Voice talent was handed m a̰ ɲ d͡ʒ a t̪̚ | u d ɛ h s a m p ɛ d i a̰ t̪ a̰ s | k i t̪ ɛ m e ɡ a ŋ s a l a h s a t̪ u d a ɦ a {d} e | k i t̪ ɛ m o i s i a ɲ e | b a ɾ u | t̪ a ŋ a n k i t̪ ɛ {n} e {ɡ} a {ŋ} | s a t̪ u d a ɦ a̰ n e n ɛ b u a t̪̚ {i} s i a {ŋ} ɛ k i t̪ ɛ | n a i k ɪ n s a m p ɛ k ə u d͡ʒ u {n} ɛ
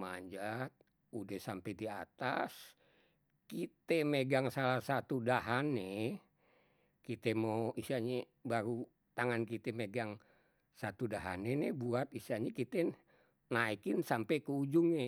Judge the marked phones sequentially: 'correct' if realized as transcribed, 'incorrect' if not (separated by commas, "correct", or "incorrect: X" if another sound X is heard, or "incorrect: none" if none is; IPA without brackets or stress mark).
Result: incorrect: n, incorrect: m, correct, correct, correct, incorrect: ɲ, incorrect: ŋ